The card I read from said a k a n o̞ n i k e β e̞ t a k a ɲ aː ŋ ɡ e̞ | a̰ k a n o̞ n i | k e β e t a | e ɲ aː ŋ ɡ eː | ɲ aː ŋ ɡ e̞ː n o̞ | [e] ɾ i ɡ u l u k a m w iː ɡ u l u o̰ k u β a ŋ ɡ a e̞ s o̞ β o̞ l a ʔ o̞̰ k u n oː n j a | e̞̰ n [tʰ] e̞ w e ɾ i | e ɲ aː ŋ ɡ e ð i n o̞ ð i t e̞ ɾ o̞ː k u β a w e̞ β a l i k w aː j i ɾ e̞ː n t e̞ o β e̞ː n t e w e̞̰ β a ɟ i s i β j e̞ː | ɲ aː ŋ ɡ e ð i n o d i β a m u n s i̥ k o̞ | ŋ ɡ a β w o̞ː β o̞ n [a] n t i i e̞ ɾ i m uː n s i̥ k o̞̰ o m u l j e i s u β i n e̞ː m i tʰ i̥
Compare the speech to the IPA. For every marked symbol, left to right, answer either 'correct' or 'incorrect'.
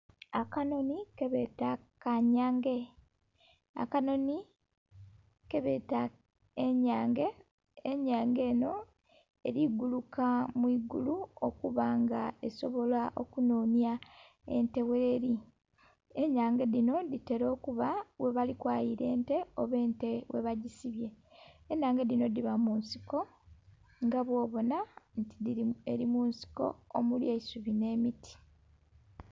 correct, incorrect, correct

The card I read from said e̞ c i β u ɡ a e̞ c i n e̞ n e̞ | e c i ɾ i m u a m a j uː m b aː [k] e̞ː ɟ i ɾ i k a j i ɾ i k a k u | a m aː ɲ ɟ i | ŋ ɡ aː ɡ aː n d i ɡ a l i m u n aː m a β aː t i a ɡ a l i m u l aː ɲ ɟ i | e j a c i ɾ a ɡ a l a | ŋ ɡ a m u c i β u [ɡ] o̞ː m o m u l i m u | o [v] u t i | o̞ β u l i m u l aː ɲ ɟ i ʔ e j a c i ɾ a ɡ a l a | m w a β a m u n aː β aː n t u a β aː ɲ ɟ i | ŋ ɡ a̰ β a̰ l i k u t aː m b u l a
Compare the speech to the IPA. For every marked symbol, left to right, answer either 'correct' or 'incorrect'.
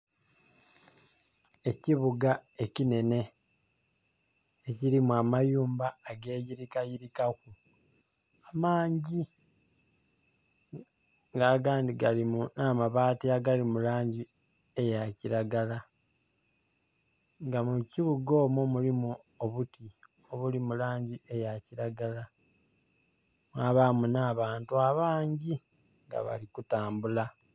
incorrect, correct, incorrect

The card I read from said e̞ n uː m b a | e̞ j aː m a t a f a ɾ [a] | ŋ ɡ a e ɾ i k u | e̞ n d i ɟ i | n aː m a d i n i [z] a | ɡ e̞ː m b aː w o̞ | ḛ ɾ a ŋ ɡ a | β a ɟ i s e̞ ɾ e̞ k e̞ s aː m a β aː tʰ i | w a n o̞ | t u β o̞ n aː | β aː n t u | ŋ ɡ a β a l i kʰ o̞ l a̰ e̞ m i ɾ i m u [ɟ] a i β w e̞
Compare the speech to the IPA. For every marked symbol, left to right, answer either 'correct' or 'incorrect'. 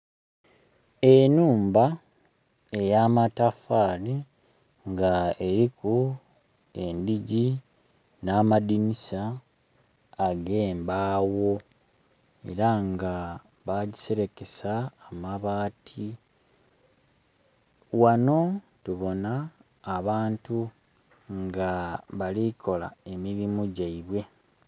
incorrect, incorrect, correct

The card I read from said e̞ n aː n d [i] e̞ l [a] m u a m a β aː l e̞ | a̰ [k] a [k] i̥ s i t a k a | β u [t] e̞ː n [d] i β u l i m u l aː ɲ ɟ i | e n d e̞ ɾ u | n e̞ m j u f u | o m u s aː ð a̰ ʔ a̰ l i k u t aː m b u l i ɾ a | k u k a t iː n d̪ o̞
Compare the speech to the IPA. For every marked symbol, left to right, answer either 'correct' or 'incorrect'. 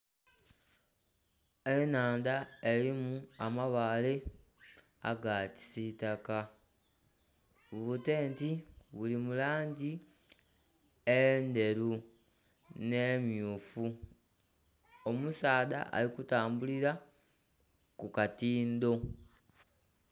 incorrect, incorrect, incorrect, incorrect, correct, incorrect

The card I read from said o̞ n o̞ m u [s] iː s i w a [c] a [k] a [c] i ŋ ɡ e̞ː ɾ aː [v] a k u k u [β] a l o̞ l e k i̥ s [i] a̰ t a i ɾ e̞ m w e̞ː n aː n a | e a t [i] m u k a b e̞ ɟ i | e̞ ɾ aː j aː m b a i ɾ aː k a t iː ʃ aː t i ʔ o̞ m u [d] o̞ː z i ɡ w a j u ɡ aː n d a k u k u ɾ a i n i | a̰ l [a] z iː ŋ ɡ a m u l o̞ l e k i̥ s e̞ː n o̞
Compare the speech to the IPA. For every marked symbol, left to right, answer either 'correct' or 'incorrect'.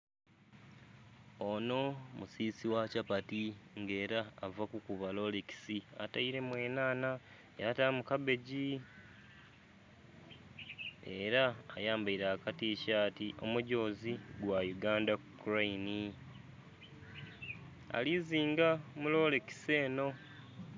correct, correct, incorrect, incorrect, correct, correct, correct, incorrect, incorrect, incorrect

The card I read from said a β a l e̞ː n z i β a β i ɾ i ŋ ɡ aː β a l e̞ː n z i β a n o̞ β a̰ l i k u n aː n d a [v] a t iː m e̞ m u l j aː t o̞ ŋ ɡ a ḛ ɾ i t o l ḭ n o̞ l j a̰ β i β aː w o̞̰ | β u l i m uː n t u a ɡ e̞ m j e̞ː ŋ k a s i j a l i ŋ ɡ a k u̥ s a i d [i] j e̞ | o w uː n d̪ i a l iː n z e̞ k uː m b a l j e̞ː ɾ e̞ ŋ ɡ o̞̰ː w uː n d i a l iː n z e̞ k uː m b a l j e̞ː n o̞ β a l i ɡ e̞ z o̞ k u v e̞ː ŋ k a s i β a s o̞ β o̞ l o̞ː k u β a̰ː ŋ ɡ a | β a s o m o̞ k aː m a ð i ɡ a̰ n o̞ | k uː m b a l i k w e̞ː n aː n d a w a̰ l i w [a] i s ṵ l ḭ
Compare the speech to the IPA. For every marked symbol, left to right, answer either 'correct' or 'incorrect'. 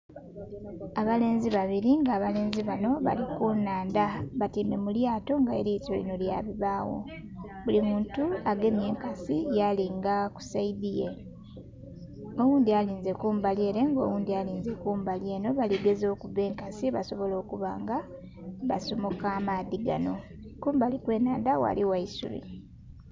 incorrect, correct, correct

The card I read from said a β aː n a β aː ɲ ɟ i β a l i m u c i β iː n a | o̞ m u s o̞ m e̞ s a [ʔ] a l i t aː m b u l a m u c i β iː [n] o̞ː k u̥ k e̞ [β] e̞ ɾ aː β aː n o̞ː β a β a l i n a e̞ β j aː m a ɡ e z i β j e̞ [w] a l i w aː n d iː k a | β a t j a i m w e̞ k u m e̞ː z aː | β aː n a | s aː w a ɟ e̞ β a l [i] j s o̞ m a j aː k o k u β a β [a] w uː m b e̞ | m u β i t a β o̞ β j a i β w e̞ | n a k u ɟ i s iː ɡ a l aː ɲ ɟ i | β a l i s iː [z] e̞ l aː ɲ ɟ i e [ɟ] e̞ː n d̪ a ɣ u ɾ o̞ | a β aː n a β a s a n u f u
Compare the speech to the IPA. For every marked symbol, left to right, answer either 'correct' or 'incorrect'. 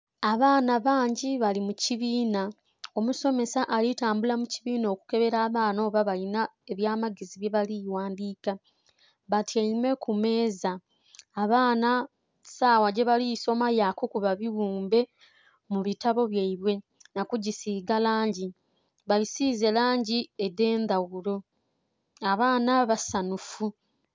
correct, correct, correct, incorrect, correct, incorrect, correct, incorrect

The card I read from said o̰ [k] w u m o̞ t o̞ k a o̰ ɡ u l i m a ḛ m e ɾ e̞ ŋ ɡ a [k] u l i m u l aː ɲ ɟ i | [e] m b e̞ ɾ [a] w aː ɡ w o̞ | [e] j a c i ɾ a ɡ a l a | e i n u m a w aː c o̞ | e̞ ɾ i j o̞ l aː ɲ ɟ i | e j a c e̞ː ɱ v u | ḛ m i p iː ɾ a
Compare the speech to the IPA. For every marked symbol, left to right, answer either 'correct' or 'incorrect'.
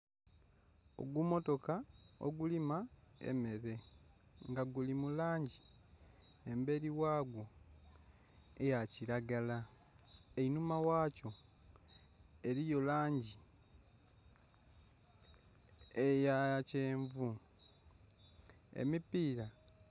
incorrect, incorrect, correct, incorrect, correct

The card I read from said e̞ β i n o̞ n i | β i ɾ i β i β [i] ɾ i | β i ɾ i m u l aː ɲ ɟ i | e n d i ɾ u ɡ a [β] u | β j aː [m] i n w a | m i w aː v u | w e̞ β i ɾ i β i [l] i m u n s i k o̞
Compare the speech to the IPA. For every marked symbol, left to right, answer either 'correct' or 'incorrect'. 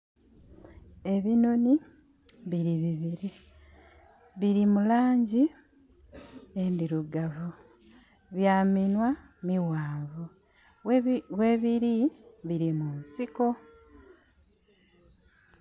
correct, incorrect, correct, incorrect

